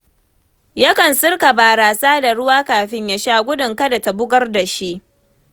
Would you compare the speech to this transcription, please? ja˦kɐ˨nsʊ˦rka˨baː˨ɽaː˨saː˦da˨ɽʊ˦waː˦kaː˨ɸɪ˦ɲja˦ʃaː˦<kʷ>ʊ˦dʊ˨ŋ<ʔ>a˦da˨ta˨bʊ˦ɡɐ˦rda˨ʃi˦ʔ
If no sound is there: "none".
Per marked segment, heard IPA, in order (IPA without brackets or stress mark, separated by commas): ɡʷ, k